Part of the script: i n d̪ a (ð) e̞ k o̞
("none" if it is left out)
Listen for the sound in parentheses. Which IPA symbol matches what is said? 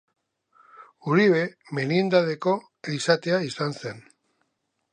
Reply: ð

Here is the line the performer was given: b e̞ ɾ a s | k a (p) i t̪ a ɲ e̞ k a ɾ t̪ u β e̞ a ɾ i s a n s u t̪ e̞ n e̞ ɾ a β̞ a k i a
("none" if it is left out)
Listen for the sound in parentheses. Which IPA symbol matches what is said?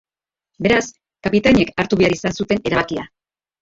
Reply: p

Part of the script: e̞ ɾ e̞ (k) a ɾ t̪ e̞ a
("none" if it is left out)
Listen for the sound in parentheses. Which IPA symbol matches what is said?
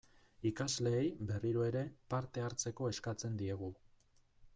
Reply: p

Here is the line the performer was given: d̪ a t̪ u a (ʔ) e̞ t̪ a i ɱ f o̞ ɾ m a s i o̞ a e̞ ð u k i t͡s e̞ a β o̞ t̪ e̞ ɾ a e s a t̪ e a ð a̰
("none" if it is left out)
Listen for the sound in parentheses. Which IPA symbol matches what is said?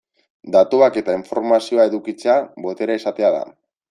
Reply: k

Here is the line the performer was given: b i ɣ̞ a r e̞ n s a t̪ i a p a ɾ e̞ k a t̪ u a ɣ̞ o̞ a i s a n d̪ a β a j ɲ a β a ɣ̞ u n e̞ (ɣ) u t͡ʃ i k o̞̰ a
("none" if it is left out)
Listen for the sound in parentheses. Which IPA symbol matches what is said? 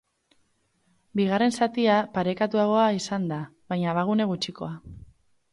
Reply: ɣ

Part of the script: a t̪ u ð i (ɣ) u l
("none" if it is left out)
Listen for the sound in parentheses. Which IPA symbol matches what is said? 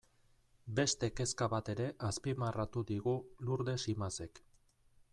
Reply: ɣ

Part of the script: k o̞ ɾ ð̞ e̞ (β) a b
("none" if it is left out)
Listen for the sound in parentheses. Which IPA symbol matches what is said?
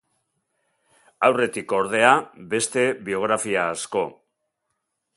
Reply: none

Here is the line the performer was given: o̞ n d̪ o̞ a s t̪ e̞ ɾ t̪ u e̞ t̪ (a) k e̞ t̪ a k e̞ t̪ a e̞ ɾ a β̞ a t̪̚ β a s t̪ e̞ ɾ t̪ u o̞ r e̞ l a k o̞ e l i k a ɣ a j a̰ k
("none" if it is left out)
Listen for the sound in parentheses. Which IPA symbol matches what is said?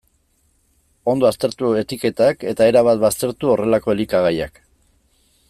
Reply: i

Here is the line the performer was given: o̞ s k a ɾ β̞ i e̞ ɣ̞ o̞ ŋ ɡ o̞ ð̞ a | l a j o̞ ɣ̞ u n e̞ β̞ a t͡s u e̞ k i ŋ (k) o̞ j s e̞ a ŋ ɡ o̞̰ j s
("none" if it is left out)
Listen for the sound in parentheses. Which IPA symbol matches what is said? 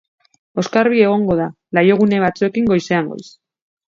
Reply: ɡ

